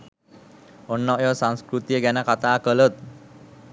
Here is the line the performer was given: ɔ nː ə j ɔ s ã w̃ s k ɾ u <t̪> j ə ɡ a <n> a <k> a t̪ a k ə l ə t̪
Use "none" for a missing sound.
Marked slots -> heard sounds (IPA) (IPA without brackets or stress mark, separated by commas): t̪, n, k